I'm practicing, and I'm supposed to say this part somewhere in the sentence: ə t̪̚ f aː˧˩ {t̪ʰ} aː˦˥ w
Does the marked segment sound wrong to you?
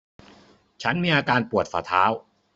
no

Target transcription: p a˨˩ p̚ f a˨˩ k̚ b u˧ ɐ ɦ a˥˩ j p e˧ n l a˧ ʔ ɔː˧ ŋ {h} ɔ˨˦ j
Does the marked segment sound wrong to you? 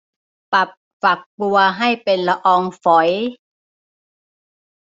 yes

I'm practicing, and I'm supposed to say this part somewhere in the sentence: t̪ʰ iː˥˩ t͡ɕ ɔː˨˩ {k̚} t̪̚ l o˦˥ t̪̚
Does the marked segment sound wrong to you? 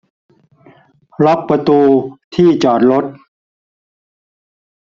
yes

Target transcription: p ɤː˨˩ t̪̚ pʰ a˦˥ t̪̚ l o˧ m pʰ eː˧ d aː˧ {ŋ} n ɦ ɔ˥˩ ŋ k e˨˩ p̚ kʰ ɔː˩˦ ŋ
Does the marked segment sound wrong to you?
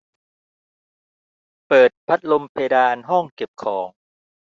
yes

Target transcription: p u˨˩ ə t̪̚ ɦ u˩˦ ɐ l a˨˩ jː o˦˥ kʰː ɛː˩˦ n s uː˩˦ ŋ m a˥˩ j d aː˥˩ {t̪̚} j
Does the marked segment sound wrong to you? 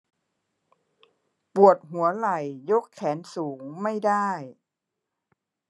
yes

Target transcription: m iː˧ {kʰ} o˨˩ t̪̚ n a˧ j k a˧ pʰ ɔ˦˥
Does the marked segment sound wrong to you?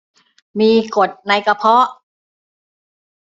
yes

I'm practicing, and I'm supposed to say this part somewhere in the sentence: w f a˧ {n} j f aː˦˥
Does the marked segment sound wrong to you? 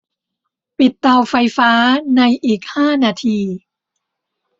yes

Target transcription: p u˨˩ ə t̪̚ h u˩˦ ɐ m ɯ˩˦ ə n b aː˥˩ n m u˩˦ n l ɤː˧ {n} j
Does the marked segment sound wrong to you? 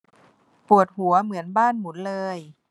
yes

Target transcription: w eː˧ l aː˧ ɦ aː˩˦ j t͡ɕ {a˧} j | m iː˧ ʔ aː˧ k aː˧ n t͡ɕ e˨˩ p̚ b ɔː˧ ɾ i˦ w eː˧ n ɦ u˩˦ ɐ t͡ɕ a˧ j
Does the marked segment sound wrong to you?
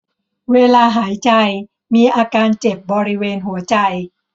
no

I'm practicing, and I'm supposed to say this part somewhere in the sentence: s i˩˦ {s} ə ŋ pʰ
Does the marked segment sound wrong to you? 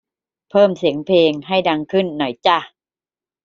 yes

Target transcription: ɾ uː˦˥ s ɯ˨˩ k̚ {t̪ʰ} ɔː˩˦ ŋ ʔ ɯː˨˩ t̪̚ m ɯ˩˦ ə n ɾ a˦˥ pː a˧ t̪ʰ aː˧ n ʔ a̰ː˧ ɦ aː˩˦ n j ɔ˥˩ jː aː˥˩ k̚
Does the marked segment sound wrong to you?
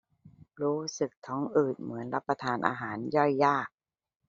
no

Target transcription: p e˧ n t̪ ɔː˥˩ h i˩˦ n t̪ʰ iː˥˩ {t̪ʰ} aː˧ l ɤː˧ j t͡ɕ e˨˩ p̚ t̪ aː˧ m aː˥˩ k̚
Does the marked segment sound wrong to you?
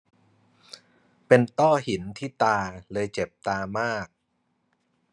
yes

